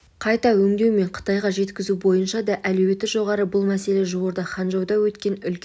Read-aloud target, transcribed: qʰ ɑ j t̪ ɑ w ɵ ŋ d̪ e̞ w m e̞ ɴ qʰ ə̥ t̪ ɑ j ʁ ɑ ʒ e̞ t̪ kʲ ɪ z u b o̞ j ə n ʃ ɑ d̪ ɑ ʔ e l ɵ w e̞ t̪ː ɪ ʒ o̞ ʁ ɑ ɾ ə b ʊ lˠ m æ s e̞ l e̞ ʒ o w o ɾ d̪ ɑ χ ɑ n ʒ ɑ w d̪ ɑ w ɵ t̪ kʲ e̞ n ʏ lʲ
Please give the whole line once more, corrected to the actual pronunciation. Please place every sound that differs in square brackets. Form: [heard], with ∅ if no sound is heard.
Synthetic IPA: qʰ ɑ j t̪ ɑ w ɵ ŋ d̪ e̞ w m e̞ ɴ qʰ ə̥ t̪ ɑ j ʁ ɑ ʒ e̞ t̪ kʲ ɪ z u b o̞ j ə n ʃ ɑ d̪ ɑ ʔ [æ] l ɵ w e̞ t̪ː ɪ ʒ o̞ ʁ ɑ ɾ ə b ʊ lˠ m æ s e̞ l e̞ ʒ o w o ɾ d̪ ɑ χ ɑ n ʒ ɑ w d̪ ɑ w ɵ t̪ kʲ e̞ n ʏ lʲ

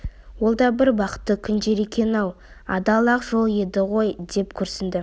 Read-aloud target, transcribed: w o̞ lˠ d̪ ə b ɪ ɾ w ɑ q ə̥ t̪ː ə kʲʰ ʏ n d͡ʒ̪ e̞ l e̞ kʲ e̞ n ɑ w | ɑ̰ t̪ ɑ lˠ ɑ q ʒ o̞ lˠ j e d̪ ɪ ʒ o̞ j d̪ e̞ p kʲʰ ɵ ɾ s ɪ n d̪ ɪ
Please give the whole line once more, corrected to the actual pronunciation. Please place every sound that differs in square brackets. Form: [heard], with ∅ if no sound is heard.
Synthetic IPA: w o̞ lˠ d̪ [ɑ] b ɪ ɾ [b] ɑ q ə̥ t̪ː ə kʲʰ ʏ n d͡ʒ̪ e̞ [ɾ] e̞ kʲ e̞ n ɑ w | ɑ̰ [d̪] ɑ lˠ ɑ q ʒ o̞ lˠ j e d̪ ɪ [ʁ] o̞ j d̪ e̞ p kʲʰ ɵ ɾ s ɪ n d̪ ɪ

